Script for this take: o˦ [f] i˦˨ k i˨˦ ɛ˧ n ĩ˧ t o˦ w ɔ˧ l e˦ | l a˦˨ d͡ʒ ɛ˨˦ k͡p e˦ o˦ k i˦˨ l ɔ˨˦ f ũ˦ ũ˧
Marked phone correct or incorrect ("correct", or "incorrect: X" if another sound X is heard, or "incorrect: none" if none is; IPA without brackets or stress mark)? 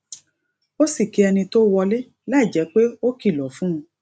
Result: incorrect: s